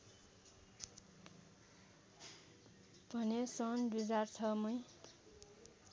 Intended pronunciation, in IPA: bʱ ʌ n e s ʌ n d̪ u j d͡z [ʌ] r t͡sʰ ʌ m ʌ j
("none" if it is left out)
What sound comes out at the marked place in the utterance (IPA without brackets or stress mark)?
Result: a